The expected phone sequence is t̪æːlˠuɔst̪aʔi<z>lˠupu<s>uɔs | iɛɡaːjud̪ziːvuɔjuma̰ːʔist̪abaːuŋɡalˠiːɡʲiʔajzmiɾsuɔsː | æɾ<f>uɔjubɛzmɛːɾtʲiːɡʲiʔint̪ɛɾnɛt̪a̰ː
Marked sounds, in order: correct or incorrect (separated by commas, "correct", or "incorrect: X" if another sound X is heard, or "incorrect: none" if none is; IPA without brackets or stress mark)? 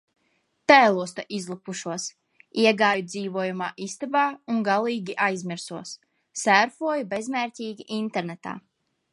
correct, incorrect: ʃ, correct